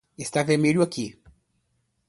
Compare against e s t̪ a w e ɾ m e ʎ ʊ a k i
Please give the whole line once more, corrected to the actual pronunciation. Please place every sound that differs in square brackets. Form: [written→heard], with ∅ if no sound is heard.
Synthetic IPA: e s t̪ a [w→v] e ɾ m e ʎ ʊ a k i